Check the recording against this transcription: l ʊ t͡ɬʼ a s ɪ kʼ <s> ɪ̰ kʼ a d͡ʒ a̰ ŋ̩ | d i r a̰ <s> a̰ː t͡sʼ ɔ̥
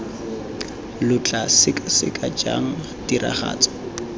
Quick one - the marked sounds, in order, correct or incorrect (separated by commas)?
correct, incorrect